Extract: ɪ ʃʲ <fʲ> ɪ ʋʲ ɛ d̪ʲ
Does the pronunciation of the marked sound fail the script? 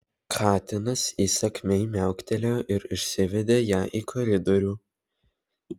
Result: yes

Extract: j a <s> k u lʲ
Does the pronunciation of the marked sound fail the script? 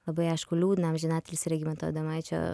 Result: yes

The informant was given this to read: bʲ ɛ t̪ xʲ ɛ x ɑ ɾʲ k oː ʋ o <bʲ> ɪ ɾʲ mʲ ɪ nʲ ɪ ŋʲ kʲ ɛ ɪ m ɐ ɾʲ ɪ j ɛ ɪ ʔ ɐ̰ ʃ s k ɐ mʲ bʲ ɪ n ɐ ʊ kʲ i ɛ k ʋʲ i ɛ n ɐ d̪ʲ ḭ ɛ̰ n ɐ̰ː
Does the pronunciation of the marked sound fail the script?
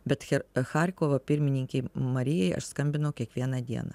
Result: yes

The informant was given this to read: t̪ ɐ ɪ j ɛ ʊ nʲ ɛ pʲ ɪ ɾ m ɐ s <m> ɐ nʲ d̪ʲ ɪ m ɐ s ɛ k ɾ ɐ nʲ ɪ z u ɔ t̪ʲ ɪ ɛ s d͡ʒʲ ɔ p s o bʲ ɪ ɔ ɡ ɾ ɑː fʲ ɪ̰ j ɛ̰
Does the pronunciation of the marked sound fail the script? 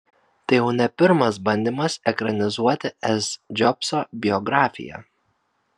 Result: yes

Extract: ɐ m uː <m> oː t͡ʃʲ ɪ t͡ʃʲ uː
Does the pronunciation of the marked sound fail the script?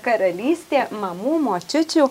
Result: no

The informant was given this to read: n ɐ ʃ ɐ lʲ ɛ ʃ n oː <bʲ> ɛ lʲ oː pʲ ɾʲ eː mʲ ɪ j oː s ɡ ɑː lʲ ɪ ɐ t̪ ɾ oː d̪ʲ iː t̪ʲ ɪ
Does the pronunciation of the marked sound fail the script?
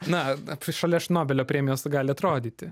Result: no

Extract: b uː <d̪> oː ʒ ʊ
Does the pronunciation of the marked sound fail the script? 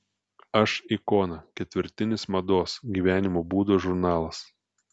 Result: no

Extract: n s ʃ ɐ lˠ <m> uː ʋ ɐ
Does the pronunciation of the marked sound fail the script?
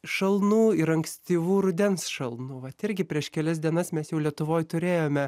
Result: yes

